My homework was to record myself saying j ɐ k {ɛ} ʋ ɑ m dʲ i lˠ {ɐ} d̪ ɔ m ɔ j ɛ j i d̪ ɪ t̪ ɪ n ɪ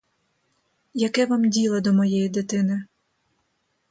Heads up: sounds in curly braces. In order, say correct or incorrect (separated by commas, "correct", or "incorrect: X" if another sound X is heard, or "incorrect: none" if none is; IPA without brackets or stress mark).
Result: correct, correct